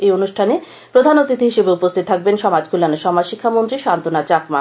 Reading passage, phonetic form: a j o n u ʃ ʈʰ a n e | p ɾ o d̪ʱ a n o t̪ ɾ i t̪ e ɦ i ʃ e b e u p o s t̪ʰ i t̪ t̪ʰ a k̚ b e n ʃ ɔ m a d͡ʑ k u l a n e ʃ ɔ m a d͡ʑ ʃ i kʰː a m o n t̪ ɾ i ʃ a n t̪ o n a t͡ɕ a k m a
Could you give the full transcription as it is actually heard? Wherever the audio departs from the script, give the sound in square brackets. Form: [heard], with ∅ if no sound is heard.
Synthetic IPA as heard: [e] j o n u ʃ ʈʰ a n e | p ɾ o d̪ʱ a n o t̪ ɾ i t̪ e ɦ i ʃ e b e u p o s t̪ʰ i t̪ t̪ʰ a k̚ b e n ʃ ɔ m a d͡ʑ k u l a n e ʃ ɔ m a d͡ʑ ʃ i kʰː a m o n t̪ ɾ i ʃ a n t̪ o n a t͡ɕ a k m a